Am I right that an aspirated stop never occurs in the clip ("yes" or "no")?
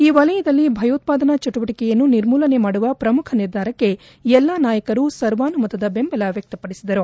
no